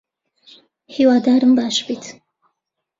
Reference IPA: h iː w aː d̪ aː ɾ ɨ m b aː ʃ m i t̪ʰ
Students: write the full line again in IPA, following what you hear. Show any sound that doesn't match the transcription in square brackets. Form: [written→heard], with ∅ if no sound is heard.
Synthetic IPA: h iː w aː d̪ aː ɾ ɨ m b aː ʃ [m→b] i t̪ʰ